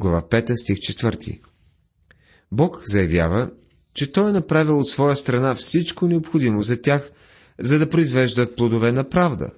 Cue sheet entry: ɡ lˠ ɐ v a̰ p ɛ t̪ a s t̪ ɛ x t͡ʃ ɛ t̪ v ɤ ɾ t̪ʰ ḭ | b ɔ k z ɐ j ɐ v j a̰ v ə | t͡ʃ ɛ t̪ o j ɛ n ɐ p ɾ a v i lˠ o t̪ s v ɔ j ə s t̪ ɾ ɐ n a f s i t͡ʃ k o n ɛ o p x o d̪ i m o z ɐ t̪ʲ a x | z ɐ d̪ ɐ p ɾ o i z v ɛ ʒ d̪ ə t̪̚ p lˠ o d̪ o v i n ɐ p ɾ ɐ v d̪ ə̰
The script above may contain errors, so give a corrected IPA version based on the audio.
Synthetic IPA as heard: ɡ lˠ ɐ v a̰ p ɛ t̪ ə s t̪ i x t͡ʃ ɛ t̪ v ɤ ɾ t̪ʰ ḭ | b ɔ k z ɐ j ɐ v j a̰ v ə | t͡ʃ ɛ t̪ ɔ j ɛ n ɐ p ɾ a v i lˠ o t̪ s v ɔ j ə s t̪ ɾ ɐ n a f s i t͡ʃ k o n ɛ o p x o d̪ i m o z ɐ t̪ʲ a x | z ɐ d̪ ɐ p ɾ o i z v ɛ ʒ d̪ ə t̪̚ p lˠ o d̪ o v ɛ n ɐ p ɾ a v d̪ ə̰